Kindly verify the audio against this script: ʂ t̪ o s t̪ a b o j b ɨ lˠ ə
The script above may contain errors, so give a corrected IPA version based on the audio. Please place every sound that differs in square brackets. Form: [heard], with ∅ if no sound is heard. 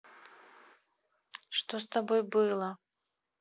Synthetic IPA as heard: ʂ t̪ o s t̪ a b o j b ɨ lˠ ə